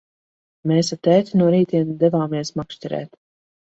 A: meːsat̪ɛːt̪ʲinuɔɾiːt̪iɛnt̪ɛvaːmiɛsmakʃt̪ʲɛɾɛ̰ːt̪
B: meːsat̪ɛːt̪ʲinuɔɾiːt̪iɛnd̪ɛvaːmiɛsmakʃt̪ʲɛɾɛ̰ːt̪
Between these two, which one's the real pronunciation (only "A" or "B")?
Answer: B